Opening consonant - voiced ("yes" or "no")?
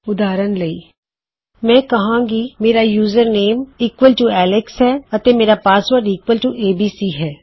yes